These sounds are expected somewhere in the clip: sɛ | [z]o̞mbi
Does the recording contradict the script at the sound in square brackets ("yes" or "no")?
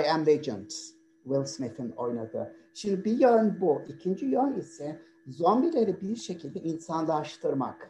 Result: no